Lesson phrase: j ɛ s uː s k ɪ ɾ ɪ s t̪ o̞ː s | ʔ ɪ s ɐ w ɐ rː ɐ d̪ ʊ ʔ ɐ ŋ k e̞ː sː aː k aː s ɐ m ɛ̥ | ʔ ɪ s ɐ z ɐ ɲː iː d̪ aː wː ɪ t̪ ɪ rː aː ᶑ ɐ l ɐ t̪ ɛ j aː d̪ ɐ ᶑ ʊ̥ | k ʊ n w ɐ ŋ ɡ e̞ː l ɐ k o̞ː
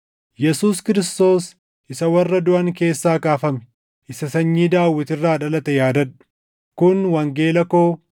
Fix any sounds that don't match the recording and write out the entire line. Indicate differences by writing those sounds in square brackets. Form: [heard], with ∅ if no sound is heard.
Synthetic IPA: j ɛ s uː s k ɪ ɾ ɪ s t̪ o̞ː s | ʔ ɪ s ɐ w ɐ rː ɐ d̪ ʊ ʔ ɐ ŋ k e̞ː sː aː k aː [f] ɐ m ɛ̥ | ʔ ɪ s ɐ [s] ɐ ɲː iː d̪ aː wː ɪ t̪ ɪ rː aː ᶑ ɐ l ɐ t̪ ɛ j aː d̪ ɐ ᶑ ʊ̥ | k ʊ n w ɐ ŋ ɡ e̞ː l ɐ k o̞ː

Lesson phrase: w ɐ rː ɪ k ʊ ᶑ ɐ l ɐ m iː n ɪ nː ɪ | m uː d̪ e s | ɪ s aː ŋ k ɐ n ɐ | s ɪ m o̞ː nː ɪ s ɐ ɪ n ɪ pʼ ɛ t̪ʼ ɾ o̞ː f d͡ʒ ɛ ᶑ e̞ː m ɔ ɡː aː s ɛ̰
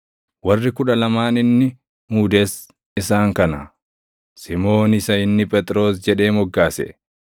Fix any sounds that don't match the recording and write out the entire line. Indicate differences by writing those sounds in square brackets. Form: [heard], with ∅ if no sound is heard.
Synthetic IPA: w ɐ rː ɪ k ʊ ᶑ ɐ l ɐ m [aː] n ɪ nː ɪ | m uː d̪ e s | ɪ s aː ŋ k ɐ n ɐ | s ɪ m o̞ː [n] ɪ s ɐ ɪ [nː] ɪ pʼ ɛ t̪ʼ ɾ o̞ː [s] d͡ʒ ɛ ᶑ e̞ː m ɔ ɡː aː s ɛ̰

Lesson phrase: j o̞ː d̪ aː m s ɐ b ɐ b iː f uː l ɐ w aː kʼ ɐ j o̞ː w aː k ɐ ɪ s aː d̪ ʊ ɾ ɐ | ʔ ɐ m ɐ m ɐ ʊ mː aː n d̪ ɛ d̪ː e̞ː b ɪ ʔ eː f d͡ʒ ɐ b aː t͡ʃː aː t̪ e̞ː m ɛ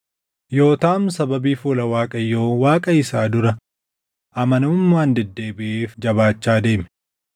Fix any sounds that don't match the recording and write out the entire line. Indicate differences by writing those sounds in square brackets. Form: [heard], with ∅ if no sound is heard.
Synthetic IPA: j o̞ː [t̪] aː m s ɐ b ɐ b iː f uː l ɐ w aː kʼ ɐ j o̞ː w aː [kʼ] ɐ ɪ s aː d̪ ʊ ɾ ɐ | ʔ ɐ m ɐ [n] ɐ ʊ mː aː n d̪ ɛ d̪ː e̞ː b ɪ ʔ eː f d͡ʒ ɐ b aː t͡ʃː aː [d̪] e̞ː m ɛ

